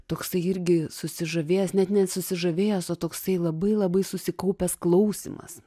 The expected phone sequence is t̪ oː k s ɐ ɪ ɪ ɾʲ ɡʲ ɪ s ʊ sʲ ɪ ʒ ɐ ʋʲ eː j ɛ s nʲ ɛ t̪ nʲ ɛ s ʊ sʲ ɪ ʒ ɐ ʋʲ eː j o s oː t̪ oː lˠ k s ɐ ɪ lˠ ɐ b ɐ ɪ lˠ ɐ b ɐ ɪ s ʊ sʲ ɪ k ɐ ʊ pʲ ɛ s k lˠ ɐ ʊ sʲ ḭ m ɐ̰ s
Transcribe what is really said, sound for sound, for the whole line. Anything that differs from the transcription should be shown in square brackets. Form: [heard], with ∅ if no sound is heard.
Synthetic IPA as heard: t̪ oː k s ɐ ɪ ɪ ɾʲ ɡʲ ɪ s ʊ sʲ ɪ ʒ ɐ ʋʲ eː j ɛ s nʲ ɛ t̪ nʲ ɛ s ʊ sʲ ɪ ʒ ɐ ʋʲ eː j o s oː t̪ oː [∅] k s ɐ ɪ lˠ ɐ b ɐ ɪ lˠ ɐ b ɐ ɪ s ʊ sʲ ɪ k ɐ ʊ pʲ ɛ s k lˠ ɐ ʊ sʲ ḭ m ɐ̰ s